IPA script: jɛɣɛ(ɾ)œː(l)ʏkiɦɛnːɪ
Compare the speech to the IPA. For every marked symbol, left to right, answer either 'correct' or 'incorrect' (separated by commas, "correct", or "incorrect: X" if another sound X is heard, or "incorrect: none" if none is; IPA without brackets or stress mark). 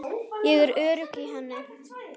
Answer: correct, incorrect: ɾ